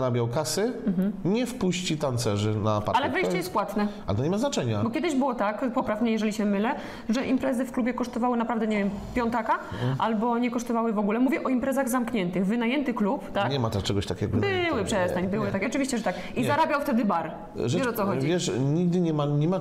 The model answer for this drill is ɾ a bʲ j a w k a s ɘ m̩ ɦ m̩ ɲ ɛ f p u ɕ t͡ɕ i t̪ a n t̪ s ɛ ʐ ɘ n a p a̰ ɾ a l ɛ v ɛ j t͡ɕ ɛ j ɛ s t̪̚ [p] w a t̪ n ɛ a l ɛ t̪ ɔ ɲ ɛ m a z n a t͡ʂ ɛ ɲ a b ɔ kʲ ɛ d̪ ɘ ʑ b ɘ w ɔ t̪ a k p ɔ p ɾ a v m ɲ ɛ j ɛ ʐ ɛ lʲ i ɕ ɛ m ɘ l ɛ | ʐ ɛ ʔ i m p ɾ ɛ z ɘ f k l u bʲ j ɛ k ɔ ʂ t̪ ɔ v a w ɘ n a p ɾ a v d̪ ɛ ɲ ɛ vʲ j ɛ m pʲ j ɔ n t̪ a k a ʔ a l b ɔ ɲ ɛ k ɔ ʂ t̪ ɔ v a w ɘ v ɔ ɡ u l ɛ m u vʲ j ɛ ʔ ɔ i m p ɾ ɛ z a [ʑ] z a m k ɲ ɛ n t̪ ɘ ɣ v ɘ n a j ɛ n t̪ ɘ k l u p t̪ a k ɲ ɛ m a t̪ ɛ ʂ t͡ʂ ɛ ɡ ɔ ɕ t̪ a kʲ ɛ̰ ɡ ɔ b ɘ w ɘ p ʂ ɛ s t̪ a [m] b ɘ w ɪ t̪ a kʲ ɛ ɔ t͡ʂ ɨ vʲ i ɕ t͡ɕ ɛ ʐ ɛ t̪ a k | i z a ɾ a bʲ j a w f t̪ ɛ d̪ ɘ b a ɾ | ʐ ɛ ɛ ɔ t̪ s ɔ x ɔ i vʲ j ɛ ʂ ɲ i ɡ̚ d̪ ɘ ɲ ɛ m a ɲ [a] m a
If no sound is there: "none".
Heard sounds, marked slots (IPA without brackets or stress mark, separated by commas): p, ɣ, ɲ, ɛ